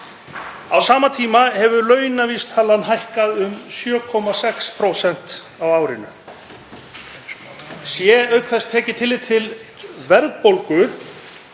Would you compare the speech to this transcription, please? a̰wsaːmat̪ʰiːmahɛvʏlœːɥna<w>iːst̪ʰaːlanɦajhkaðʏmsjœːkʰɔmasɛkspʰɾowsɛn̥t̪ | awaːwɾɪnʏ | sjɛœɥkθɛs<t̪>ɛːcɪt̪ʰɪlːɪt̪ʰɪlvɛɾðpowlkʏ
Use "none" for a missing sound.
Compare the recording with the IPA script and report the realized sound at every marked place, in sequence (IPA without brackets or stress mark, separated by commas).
v, t̪ʰ